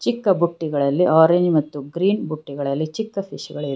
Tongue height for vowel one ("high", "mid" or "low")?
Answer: high